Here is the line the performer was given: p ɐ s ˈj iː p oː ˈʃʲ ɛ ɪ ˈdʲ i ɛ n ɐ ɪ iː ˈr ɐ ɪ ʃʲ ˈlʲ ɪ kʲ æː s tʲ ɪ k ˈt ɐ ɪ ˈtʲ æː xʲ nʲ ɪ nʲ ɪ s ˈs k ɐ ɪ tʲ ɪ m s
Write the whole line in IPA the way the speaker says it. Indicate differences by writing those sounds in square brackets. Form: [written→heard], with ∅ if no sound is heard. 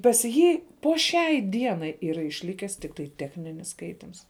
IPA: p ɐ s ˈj iː p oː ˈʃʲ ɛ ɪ ˈdʲ i ɛ n ɐ ɪ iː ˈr ɐ ɪ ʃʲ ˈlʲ ɪ kʲ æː s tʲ ɪ k ˈt ɐ ɪ ˈtʲ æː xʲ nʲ ɪ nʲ ɪ s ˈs k ɐ ɪ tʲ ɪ m s